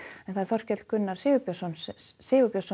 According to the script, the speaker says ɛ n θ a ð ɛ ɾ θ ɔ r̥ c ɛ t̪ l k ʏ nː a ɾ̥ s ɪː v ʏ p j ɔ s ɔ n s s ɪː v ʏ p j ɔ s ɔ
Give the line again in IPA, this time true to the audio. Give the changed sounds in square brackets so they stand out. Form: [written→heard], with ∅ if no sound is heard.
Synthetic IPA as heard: ɛ n θ a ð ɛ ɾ θ ɔ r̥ c ɛ t̪ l k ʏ nː a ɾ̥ s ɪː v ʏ p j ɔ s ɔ n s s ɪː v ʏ p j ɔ s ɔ